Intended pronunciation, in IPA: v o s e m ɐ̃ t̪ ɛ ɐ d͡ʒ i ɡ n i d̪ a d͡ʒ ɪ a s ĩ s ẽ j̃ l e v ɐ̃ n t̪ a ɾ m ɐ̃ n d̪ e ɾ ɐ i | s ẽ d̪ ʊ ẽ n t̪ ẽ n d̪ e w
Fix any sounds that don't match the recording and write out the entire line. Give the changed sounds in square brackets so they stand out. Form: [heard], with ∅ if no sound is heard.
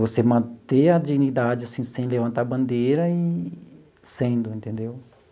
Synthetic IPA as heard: v o s e m ɐ̃ t̪ [e] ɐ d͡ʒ i ɡ n i d̪ a d͡ʒ ɪ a s ĩ s ẽ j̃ l e v ɐ̃ n t̪ a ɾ [b] ɐ̃ n d̪ e ɾ ɐ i | s ẽ d̪ ʊ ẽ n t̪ ẽ n d̪ e w

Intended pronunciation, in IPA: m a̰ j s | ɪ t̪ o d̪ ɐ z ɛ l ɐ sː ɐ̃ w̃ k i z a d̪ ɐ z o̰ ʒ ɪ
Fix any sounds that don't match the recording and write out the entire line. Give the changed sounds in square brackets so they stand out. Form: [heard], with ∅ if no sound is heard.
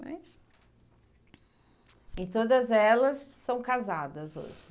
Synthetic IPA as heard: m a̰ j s | ɪ t̪ o d̪ ɐ z ɛ l ɐ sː ɐ̃ w̃ k [a] z a d̪ ɐ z o̰ ʒ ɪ

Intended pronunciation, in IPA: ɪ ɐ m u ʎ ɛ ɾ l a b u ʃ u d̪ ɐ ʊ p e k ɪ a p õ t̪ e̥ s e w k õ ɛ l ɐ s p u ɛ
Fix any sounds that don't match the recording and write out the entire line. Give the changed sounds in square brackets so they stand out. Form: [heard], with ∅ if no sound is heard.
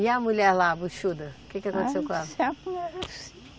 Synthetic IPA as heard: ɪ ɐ m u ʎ ɛ ɾ l a b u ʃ u d̪ ɐ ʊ [k] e k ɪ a [k] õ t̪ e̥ s e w k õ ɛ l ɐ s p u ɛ

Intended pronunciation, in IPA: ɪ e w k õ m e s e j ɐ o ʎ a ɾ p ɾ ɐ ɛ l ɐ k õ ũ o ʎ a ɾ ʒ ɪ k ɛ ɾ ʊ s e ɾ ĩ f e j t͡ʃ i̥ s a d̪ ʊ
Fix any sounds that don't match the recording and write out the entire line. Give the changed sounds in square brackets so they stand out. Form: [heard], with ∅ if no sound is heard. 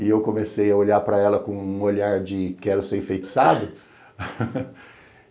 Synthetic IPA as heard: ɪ e w k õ m e s e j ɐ o ʎ a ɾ p ɾ ɐ ɛ l ɐ k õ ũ o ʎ a ɾ [d͡ʒ] ɪ k ɛ ɾ ʊ s e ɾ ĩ f e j t͡ʃ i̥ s a d̪ ʊ

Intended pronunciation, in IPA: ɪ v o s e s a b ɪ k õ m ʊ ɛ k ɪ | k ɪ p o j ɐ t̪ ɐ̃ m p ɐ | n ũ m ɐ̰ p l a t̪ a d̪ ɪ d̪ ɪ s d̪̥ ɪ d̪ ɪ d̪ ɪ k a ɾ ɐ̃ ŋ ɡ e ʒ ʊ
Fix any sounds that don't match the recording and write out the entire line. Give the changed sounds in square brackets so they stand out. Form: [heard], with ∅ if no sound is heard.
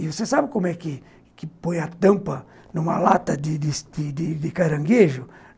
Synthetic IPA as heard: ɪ v o s e s a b ɪ k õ m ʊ ɛ k ɪ | k ɪ p o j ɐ t̪ ɐ̃ m p ɐ | n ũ m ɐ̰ [∅] l a t̪ [ɐ] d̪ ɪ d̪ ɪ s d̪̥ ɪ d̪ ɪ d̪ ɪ k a ɾ ɐ̃ ŋ ɡ e ʒ ʊ

